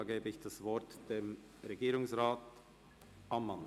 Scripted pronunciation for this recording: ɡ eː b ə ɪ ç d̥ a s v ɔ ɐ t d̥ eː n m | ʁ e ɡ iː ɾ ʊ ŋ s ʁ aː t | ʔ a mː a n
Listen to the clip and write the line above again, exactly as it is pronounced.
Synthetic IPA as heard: ɡ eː b ə ɪ ç d̥ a s v ɔ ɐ t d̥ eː m | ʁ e ɡ iː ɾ ʊ ŋ s ʁ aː t | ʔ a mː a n